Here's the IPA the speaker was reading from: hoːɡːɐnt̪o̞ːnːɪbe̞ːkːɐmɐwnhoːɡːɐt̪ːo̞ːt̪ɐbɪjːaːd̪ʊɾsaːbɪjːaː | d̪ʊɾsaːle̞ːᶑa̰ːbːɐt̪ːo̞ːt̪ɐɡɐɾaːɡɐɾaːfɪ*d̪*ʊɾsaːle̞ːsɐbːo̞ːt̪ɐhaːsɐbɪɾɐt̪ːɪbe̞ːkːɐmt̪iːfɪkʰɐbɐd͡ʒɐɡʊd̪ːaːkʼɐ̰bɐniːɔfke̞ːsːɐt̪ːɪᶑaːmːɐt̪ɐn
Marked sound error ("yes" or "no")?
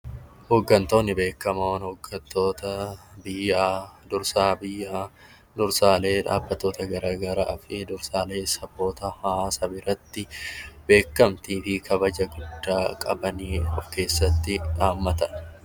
no